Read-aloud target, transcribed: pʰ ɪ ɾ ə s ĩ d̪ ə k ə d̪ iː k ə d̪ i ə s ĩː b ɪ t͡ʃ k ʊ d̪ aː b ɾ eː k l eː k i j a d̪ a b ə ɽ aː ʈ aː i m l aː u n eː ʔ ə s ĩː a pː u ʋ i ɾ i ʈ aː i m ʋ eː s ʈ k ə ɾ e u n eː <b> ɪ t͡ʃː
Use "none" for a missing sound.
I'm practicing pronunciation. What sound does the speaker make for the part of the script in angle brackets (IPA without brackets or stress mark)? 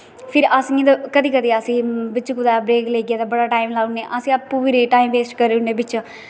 b